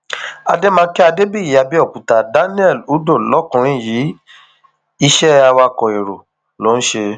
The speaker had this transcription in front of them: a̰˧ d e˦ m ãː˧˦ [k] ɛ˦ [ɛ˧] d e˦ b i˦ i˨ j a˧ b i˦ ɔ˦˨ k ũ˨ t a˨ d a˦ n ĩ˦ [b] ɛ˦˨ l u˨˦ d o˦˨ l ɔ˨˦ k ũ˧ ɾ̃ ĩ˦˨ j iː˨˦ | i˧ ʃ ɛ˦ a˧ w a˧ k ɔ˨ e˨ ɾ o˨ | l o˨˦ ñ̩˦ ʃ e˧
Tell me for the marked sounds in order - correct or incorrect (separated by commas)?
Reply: correct, incorrect, incorrect